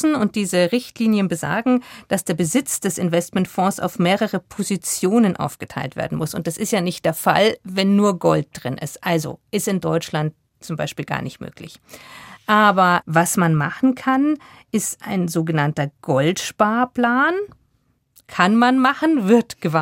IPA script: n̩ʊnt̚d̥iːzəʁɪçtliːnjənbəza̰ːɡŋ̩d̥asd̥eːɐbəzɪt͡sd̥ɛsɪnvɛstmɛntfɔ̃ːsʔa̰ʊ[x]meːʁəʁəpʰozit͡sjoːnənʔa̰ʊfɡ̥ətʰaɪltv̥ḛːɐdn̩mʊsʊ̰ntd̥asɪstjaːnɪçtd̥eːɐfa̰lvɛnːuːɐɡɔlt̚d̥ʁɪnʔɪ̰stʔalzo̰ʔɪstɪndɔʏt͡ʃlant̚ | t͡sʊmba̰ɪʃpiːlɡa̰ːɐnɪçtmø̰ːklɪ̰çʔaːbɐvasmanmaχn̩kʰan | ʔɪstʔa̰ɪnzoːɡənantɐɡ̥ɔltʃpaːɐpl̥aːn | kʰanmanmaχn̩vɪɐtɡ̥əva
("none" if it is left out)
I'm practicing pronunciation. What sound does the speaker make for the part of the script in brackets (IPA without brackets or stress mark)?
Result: f